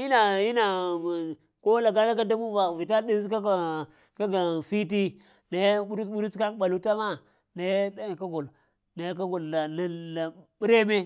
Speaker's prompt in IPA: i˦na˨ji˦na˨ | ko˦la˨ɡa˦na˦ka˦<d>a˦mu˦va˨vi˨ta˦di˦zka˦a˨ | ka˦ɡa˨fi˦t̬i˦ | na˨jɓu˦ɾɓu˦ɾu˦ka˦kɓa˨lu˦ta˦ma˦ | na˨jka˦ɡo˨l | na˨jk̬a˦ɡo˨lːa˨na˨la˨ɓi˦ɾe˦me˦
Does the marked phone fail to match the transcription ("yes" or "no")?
no